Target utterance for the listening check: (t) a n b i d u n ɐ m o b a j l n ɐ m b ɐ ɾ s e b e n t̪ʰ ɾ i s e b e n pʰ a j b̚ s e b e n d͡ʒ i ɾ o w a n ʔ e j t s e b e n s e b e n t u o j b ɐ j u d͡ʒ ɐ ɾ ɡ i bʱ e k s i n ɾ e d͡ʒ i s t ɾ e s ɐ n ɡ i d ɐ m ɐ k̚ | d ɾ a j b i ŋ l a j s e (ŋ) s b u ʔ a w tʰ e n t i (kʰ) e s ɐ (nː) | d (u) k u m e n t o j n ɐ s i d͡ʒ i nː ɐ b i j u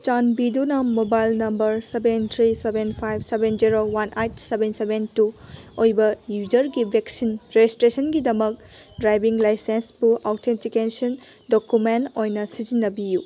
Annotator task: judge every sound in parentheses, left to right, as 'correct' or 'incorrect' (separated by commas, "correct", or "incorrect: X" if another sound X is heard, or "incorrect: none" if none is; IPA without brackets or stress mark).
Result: incorrect: t͡ʃ, incorrect: n, incorrect: k, incorrect: n, incorrect: o